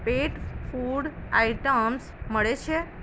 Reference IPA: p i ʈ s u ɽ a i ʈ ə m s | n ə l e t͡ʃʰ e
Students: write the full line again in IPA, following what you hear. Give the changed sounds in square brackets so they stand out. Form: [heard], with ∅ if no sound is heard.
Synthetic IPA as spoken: p [e] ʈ [f] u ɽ a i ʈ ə m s | [m] ə [ɭ] e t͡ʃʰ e